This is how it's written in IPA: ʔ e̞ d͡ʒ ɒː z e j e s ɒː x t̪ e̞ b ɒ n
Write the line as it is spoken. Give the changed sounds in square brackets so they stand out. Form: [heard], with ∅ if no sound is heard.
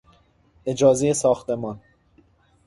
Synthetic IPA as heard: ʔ e̞ d͡ʒ ɒː z e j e s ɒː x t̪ e̞ [m] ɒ n